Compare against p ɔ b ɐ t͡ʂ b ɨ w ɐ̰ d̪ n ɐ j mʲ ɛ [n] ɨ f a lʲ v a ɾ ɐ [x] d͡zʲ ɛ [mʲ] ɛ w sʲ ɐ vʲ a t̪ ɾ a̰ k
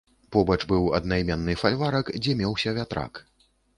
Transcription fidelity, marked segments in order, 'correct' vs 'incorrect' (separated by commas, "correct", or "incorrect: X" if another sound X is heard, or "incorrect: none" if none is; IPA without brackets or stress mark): incorrect: nː, incorrect: k, correct